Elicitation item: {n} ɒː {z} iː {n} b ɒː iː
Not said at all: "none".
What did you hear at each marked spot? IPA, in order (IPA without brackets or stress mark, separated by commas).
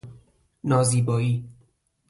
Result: n, z, none